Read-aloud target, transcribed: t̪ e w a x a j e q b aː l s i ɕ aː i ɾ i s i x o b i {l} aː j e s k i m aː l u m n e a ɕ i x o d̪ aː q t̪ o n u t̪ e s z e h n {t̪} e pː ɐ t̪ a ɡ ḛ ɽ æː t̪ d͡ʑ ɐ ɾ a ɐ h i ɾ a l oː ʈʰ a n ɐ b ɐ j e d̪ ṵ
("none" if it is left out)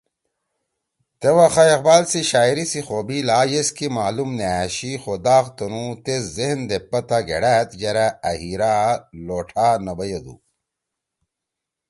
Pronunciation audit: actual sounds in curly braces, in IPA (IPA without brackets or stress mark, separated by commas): l, d̪